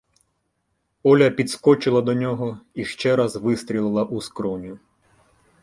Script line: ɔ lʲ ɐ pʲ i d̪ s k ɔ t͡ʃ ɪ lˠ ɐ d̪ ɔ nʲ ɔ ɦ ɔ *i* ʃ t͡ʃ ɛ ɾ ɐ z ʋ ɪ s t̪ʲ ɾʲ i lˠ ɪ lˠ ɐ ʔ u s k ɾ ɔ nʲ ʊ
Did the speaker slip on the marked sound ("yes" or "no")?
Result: no